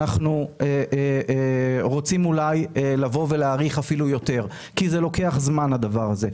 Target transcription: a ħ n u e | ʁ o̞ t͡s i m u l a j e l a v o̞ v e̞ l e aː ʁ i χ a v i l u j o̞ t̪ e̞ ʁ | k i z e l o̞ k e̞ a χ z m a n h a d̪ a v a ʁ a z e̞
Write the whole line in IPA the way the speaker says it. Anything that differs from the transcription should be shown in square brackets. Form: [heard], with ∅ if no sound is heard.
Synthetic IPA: a [χ] n u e | ʁ o̞ t͡s i m u l a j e l a v o̞ v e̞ l e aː ʁ i χ a [f] i l u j o̞ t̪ e̞ ʁ | k i z e l o̞ k e̞ a χ z m a n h a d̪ a v a ʁ a z e̞